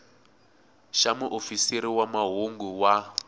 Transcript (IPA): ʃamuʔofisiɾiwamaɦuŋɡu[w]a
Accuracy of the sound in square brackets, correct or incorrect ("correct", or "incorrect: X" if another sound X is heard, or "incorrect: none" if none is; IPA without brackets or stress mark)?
correct